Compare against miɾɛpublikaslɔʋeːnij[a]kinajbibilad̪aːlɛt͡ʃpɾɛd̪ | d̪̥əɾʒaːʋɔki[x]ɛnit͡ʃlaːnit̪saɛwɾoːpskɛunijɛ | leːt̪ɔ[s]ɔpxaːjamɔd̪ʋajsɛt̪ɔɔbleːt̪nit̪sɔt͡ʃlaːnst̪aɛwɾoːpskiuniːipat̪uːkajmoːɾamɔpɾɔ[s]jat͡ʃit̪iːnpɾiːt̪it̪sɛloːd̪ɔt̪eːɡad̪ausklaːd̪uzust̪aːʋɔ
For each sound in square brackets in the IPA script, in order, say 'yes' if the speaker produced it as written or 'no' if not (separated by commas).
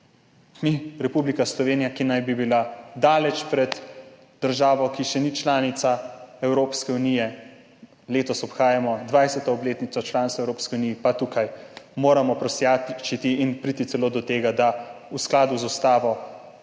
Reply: yes, no, yes, yes